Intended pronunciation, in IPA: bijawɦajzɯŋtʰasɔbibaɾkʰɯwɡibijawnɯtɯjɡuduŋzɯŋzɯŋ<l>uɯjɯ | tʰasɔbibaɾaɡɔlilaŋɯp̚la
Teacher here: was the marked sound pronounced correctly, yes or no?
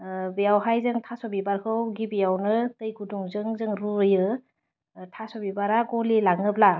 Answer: no